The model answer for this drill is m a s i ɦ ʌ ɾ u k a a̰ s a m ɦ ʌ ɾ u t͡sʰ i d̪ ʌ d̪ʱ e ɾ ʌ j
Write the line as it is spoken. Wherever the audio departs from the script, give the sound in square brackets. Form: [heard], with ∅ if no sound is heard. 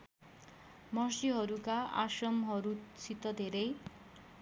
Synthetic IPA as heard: m [ʌ] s i ɦ ʌ ɾ u k a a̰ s [ʌ] m ɦ ʌ ɾ u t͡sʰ i [t̪] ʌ d̪ʱ e ɾ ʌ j